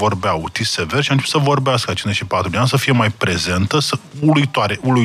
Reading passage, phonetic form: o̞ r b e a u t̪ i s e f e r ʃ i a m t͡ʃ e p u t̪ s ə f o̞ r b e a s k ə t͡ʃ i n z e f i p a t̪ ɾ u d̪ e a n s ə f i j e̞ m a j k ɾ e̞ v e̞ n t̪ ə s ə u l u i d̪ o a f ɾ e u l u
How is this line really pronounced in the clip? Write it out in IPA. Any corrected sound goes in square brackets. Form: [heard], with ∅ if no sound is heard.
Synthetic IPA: o̞ r b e a u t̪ i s e [v] e r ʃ i a [n] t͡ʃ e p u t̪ s ə [v] o̞ r b e a s k ə t͡ʃ i n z e [ʃ] i p a t̪ ɾ u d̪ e a n s ə f i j e̞ m a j [p] ɾ e̞ [z] e̞ n t̪ ə s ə u l u i [t̪] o a [∅] ɾ e u l u